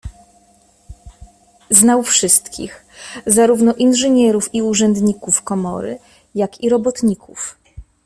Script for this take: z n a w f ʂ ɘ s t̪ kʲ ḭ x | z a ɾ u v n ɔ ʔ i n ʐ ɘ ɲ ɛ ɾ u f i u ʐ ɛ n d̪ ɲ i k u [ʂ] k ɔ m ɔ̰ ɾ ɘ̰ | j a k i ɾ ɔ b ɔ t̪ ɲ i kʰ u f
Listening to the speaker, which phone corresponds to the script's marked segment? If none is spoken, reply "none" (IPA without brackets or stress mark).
f